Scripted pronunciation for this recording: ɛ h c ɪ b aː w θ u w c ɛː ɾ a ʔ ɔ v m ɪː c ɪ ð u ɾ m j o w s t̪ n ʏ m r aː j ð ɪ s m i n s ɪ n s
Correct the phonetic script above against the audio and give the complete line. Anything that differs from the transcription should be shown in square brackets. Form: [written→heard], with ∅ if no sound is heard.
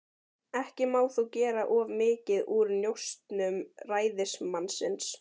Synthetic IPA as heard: ɛ h c ɪ [b→m] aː w θ u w c ɛː ɾ a ʔ ɔ v m ɪː c ɪ ð u ɾ [m→n] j o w s t̪ n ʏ m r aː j ð ɪ s m [i→a] n s ɪ n s